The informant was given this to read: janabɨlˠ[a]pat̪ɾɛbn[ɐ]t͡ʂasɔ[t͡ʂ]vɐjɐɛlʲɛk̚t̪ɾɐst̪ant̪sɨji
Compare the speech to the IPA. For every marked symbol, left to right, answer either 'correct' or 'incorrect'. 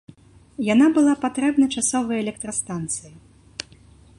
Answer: correct, correct, incorrect: none

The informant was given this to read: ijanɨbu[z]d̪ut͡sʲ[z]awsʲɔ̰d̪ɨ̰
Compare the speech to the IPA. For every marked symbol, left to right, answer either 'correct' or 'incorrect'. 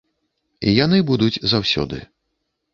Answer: incorrect: none, correct

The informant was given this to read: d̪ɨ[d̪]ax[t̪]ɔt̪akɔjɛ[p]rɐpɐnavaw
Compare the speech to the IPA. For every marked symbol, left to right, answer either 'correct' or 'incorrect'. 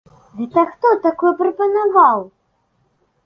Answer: incorrect: t̪, correct, correct

